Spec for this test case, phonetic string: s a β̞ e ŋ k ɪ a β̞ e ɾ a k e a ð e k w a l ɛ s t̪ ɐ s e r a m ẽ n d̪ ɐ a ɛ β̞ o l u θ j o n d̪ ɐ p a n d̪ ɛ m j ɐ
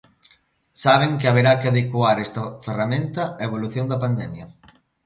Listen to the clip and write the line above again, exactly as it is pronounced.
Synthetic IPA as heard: s a β̞ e ŋ k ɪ a β̞ e ɾ a k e a ð e k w a ɾ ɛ s t̪ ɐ f e r a m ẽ n t̪ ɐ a e β̞ o l u θ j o n d̪ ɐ p a n d̪ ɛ m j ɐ